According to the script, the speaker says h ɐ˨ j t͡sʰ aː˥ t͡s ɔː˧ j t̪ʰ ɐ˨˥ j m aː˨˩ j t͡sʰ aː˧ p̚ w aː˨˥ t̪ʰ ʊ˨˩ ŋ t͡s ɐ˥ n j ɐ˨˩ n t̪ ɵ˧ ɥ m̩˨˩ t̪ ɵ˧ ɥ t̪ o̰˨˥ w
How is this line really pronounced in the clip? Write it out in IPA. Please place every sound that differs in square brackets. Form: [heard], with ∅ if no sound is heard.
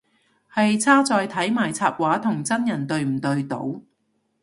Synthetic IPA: h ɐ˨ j t͡sʰ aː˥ t͡s ɔː˧ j t̪ʰ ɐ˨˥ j m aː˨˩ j t͡sʰ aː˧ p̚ w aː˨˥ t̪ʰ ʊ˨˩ ŋ t͡s ɐ˥ n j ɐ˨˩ n t̪ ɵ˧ ɥ m̩˨˩ t̪ ɵ˧ ɥ t̪ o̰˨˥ w